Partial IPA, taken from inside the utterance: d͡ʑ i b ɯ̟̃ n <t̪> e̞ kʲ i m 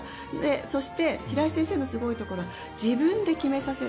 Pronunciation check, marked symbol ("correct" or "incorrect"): incorrect